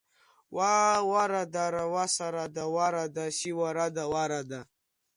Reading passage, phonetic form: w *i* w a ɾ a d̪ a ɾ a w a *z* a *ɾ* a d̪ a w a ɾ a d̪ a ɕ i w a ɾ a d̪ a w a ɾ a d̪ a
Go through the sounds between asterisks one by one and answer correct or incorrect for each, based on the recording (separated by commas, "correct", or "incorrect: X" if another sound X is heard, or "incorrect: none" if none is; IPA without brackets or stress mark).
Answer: incorrect: a, incorrect: s, correct